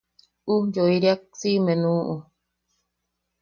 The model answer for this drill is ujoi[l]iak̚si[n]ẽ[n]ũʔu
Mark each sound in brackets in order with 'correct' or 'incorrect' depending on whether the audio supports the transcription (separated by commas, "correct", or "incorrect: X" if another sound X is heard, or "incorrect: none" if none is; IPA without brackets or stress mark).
incorrect: ɾ, incorrect: m, correct